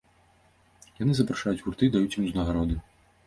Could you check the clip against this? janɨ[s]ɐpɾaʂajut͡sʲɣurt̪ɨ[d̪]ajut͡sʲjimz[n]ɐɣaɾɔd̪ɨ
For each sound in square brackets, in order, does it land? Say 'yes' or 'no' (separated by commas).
no, yes, yes